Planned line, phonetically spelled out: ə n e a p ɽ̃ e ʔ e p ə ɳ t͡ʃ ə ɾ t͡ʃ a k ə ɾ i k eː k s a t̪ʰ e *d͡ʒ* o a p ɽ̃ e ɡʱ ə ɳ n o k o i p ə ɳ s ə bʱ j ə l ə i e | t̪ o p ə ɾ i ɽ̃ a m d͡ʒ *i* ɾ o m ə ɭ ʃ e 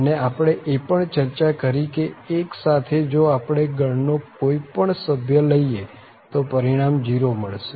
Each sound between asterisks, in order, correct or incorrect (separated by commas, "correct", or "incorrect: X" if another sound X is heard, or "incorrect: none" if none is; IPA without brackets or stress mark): correct, correct